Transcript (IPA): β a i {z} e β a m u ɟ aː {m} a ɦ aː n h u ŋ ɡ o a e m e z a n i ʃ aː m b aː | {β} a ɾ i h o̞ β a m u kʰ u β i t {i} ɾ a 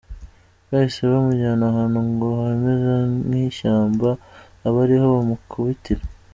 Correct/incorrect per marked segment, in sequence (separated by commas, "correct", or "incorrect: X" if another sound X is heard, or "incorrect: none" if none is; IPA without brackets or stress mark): incorrect: s, incorrect: n, correct, correct